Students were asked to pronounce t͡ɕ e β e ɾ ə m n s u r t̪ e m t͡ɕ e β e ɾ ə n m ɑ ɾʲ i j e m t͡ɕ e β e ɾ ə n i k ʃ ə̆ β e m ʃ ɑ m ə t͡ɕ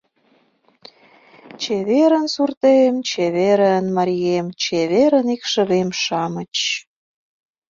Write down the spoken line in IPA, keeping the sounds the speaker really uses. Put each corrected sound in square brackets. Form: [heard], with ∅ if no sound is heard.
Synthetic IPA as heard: t͡ɕ e β e ɾ ə [∅] n s u r t̪ e m t͡ɕ e β e ɾ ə n m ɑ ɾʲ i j e m t͡ɕ e β e ɾ ə n i k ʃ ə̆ β e m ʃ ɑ m ə t͡ɕ